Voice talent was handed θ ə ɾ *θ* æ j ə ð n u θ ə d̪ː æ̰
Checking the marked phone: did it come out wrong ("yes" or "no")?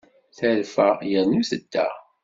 yes